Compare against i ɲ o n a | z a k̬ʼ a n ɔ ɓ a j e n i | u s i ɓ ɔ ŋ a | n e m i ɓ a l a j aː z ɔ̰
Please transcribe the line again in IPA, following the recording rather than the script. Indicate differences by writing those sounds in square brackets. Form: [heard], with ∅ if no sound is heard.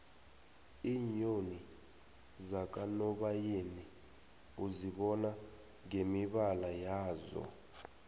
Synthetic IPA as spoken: i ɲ o n [i] | z a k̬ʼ a n ɔ ɓ a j e n i | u [z] i ɓ ɔ [n] a | [ŋ] e m i ɓ a l a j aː z ɔ̰